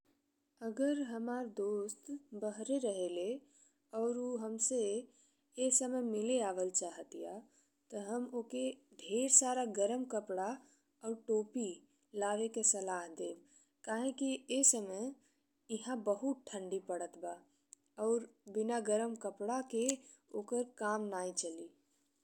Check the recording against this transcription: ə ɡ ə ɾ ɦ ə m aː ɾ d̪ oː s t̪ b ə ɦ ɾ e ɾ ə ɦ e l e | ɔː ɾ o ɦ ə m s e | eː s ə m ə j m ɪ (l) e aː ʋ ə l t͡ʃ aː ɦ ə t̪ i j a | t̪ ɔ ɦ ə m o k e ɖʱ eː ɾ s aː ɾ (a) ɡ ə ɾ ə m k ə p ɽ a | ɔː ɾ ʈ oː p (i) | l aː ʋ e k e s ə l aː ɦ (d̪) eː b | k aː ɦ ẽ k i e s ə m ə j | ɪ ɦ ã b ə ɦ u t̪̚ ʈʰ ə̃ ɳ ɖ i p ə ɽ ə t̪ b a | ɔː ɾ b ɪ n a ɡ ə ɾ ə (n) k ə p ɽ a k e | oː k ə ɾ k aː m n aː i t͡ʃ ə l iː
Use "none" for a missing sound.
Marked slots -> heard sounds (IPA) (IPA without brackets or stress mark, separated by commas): l, a, i, d̪, m